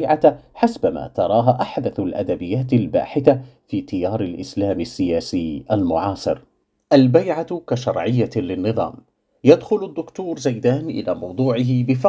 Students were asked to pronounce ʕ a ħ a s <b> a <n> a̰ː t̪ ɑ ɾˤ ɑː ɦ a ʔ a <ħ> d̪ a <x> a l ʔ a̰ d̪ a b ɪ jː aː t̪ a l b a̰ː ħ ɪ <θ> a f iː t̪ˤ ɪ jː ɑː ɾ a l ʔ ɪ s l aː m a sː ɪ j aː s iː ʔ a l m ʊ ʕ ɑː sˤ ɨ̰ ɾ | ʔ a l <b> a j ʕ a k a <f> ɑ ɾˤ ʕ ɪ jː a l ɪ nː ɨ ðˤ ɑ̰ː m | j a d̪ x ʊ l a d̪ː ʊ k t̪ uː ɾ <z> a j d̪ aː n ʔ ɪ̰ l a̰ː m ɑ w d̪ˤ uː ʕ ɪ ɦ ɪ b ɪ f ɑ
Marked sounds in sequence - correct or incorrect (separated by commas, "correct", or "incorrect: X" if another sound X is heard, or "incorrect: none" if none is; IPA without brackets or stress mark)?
correct, incorrect: m, correct, incorrect: θ, correct, correct, incorrect: ʃ, correct